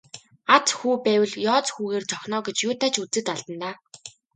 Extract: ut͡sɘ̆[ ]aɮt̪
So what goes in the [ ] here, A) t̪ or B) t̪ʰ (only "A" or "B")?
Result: A